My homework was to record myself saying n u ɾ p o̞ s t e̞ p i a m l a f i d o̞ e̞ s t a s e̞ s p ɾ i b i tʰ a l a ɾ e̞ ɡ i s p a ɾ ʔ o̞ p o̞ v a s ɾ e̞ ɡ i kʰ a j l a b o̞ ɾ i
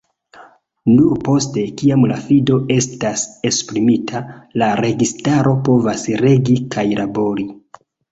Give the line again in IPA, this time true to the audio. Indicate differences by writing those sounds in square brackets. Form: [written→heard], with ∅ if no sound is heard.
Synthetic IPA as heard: n u ɾ p o̞ s t e̞ [p→k] i a m l a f i d o̞ e̞ s t a s e̞ s p ɾ i [b→m] i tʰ a l a ɾ e̞ ɡ i s [p→t] a ɾ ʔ o̞ p o̞ v a s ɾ e̞ ɡ i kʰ a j l a b o̞ ɾ i